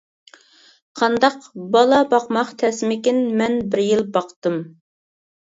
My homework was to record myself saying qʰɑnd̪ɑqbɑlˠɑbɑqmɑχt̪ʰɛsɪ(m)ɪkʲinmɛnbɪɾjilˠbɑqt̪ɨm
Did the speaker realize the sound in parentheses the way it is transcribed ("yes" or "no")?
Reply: yes